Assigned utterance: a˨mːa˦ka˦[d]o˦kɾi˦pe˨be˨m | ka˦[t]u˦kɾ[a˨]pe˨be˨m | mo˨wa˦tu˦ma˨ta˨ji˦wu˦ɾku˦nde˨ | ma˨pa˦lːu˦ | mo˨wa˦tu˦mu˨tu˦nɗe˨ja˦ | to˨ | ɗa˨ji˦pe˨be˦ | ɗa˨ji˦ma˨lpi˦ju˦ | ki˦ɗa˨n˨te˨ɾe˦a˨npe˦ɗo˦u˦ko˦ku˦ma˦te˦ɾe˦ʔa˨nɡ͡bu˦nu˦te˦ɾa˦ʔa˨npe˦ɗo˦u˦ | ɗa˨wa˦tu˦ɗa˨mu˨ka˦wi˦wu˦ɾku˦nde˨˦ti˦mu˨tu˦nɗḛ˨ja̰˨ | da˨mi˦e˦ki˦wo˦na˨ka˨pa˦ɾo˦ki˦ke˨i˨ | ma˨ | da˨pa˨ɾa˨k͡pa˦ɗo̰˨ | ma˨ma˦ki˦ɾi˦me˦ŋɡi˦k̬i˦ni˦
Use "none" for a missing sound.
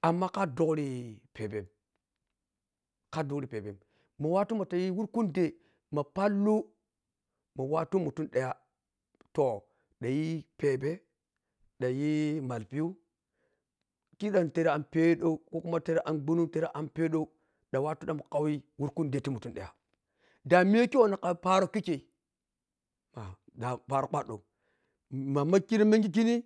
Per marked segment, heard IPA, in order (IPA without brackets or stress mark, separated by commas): d, d, i˨